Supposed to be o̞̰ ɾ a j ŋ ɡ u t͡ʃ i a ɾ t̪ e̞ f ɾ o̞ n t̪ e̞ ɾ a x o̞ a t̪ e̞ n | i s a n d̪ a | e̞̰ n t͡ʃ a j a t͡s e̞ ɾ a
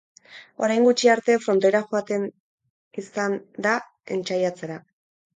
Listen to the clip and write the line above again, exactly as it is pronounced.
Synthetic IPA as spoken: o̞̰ ɾ a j ŋ ɡ u t͡ʃ i a ɾ t̪ e̞ f ɾ o̞ n t̪ e̞ ɾ a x o̞ a t̪ e̞ n | i s a n d̪ a | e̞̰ n t͡ʃ a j a t͡s e̞ ɾ a